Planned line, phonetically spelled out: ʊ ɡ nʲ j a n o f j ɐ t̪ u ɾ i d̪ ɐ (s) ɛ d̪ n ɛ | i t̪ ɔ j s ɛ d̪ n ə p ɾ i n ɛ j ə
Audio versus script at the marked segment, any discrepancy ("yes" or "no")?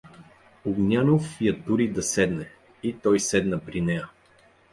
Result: no